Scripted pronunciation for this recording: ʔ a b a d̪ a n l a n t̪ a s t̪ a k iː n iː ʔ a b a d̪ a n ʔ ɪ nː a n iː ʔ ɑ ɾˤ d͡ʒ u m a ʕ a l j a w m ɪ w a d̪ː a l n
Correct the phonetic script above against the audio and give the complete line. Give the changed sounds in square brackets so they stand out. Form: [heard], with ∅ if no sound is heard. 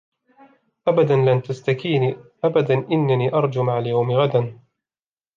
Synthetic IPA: ʔ a b a d̪ a n l a n t̪ a s t̪ a k iː n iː ʔ a b a d̪ a n ʔ ɪ nː a n iː ʔ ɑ ɾˤ d͡ʒ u m a ʕ a l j a w m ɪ [ɣ] a [d̪] a [∅] n